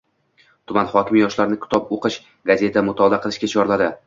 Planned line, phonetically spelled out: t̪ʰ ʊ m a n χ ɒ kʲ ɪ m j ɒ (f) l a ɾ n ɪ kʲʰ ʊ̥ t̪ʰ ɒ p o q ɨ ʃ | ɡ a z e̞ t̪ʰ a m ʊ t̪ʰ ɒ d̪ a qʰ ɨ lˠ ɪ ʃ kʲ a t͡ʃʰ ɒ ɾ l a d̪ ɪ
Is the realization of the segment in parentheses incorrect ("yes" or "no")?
yes